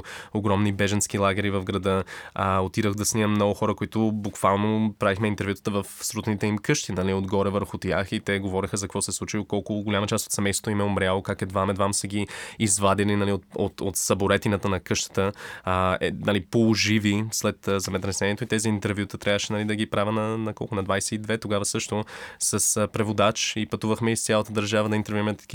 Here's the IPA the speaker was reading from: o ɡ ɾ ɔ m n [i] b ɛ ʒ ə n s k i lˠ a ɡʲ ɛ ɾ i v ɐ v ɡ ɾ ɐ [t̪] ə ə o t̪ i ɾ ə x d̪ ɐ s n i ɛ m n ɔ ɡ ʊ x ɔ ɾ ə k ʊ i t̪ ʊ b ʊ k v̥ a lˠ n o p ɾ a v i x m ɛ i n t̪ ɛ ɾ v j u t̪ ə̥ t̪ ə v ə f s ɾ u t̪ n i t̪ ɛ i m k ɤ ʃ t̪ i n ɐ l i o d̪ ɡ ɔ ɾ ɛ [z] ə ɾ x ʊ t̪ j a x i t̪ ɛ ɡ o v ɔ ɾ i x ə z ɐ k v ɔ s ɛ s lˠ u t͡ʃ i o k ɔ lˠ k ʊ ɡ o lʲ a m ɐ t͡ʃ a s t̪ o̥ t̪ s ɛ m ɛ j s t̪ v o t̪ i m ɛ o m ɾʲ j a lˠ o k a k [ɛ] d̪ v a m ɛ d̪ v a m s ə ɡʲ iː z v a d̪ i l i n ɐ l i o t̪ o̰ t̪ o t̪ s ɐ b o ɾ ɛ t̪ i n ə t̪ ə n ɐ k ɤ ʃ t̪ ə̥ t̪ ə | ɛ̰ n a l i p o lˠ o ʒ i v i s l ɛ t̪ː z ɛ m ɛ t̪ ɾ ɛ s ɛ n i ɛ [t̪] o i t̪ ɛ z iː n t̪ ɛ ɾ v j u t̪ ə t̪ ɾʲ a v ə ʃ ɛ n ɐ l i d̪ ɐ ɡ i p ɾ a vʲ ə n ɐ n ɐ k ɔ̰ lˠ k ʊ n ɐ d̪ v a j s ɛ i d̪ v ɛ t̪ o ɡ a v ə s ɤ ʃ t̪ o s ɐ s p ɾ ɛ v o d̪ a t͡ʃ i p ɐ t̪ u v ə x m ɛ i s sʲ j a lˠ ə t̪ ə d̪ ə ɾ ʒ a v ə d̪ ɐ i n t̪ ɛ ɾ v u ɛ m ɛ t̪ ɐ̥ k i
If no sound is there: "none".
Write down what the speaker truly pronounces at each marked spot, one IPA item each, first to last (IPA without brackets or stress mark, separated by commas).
i, d̪, v, ɛ, t̪